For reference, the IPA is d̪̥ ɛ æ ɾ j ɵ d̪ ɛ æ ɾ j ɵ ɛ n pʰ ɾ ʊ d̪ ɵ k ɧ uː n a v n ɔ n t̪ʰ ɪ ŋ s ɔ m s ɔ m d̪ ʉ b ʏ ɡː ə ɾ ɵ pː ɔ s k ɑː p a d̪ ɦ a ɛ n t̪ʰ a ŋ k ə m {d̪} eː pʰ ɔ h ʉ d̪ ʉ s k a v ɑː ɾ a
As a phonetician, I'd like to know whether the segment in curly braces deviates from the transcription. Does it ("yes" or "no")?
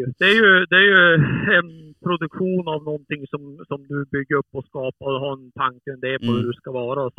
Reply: no